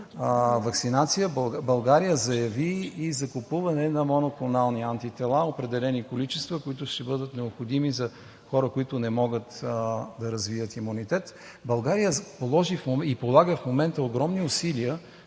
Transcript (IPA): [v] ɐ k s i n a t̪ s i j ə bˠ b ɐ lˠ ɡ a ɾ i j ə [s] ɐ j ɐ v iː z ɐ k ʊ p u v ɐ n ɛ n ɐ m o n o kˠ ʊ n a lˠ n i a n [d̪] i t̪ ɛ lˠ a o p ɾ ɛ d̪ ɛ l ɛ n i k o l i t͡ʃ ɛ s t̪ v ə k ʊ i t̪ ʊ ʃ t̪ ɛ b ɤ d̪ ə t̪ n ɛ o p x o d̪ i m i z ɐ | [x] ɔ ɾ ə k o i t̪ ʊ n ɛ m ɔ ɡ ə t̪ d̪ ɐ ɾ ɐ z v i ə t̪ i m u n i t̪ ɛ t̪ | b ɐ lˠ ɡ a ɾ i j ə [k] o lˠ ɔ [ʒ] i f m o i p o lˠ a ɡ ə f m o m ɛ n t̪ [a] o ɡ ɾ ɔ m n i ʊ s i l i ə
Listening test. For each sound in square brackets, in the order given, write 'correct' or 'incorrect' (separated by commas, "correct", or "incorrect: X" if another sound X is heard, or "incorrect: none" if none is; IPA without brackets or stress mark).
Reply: correct, incorrect: z, incorrect: t̪, correct, incorrect: p, correct, incorrect: ə